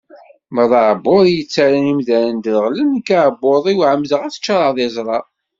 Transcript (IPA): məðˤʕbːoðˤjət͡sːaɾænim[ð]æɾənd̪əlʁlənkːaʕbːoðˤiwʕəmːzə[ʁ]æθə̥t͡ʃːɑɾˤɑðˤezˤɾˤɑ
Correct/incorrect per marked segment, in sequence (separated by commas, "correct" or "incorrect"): correct, correct